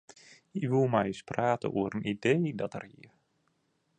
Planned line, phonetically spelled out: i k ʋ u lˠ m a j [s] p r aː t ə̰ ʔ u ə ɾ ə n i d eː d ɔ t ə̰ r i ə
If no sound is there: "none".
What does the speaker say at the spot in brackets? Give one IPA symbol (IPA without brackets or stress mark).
s